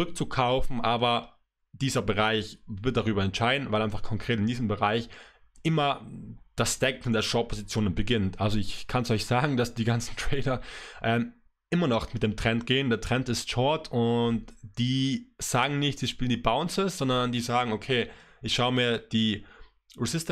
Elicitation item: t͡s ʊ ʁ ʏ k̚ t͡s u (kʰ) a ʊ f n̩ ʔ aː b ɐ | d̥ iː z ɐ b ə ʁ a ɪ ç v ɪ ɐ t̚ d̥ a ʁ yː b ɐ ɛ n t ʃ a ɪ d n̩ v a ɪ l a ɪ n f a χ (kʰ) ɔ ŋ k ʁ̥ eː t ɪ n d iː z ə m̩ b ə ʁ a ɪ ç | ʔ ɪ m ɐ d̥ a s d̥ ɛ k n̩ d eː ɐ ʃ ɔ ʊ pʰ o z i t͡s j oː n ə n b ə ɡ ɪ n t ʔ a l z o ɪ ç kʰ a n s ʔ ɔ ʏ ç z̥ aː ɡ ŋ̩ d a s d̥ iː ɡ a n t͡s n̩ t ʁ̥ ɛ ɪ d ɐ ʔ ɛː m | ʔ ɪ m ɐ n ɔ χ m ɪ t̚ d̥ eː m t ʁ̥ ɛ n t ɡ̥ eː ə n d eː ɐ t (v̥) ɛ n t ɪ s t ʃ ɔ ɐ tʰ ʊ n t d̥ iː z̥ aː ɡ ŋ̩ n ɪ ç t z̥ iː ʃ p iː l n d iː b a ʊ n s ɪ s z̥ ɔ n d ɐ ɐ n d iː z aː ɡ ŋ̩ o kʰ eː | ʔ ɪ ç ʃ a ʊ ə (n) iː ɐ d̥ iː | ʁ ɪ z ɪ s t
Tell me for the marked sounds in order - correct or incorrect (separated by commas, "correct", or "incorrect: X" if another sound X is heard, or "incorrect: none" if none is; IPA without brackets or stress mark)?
correct, correct, incorrect: ʁ̥, incorrect: m